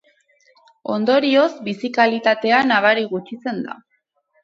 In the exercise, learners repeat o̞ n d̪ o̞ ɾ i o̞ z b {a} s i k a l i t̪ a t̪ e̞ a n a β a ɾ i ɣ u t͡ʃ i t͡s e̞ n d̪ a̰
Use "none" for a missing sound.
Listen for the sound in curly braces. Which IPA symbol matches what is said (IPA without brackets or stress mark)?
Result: i